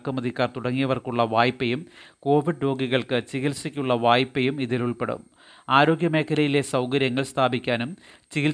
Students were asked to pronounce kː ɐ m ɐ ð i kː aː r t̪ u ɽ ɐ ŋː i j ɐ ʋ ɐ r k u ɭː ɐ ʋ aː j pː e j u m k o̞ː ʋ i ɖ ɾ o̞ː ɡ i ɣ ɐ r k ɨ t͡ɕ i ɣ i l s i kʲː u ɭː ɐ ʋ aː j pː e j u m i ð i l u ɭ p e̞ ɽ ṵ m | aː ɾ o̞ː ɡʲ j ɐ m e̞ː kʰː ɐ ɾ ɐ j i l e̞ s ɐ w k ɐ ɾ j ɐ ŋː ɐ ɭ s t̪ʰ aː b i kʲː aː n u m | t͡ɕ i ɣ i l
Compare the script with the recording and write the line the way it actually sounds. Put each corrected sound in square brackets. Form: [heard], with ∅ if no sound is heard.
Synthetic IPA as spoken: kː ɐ m ɐ ð i kː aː r t̪ u ɽ ɐ ŋː i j ɐ ʋ ɐ r k u ɭː ɐ ʋ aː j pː e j u m k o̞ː ʋ i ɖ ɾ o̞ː ɡ i ɣ ɐ [ɭ] k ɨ t͡ɕ i ɣ i l s i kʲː u ɭː ɐ ʋ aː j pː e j u m i ð i l u ɭ p e̞ ɽ ṵ m | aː ɾ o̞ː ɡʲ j ɐ m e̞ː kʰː ɐ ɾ ɐ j i l e̞ s ɐ w k ɐ ɾ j ɐ ŋː ɐ ɭ s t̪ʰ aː b i kʲː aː n u m | t͡ɕ i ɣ i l